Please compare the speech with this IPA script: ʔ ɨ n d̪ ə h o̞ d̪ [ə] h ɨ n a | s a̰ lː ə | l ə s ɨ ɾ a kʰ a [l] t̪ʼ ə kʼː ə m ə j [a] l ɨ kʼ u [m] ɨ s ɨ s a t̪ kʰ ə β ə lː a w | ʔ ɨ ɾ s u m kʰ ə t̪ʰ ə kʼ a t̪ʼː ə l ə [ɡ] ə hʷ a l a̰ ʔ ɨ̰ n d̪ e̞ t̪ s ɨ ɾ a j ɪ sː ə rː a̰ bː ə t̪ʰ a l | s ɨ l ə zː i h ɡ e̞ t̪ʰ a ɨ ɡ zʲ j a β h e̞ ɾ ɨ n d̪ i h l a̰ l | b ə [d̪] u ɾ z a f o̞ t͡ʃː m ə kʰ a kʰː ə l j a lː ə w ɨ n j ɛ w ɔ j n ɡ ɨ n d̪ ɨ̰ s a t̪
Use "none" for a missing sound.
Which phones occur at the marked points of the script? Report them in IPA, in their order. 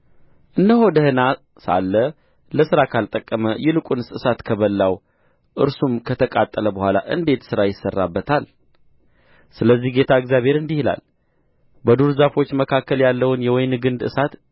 ə, l, ɛ, n, b, d̪

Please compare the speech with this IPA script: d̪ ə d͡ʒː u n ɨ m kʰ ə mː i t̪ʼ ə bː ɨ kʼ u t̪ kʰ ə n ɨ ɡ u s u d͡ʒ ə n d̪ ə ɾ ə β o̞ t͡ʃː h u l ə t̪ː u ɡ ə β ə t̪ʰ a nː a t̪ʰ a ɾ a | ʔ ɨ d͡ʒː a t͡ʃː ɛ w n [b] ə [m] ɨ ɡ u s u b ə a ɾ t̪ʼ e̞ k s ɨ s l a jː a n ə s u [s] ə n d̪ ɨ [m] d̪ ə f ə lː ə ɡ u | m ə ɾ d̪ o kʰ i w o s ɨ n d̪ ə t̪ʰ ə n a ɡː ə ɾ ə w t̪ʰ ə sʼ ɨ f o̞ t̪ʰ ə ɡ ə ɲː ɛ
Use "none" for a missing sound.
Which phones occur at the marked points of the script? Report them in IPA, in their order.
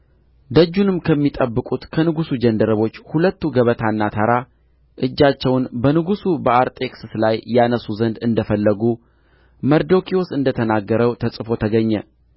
b, n, z, n

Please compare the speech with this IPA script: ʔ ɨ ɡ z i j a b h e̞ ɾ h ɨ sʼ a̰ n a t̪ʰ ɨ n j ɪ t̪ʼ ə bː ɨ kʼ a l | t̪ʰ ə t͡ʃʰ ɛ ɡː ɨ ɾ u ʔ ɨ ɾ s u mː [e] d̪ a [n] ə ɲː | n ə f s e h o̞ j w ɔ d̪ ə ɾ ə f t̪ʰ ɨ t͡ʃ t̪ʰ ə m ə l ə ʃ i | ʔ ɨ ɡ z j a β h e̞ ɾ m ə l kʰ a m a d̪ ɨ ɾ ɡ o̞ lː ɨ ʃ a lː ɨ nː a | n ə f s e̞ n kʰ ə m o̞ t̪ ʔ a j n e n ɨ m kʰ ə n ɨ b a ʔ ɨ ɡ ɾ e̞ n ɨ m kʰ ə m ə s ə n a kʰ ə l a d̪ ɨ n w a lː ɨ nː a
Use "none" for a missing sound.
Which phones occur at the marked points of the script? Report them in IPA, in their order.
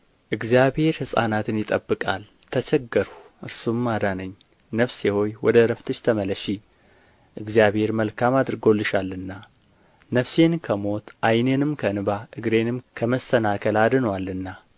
a, n

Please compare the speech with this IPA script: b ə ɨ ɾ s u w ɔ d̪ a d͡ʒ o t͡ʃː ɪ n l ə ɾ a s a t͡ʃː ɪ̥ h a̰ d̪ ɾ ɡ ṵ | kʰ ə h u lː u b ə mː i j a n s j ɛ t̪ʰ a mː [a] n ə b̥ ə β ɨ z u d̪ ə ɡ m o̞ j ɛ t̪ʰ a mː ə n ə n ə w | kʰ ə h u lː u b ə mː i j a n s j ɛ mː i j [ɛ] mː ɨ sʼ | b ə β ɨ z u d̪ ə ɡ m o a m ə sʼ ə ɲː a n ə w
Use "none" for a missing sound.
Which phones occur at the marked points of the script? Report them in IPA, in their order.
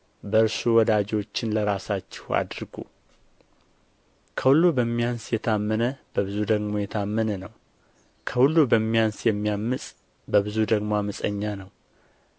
ə, a

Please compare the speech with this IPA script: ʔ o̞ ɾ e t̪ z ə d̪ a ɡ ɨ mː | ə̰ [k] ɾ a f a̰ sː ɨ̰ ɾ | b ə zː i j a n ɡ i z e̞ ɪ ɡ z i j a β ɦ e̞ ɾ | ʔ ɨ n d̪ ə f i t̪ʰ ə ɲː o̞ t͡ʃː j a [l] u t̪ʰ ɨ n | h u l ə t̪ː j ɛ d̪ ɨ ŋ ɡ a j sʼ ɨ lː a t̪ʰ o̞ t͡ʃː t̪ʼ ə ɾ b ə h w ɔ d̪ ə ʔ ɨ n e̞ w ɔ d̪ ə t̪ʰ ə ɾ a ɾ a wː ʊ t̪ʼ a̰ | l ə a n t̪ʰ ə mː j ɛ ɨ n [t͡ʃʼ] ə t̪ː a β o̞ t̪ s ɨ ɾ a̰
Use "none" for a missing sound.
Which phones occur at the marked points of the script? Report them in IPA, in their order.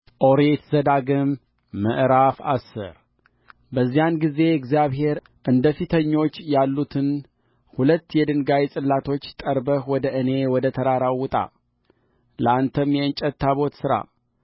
ʔ, lː, t͡ʃʼ

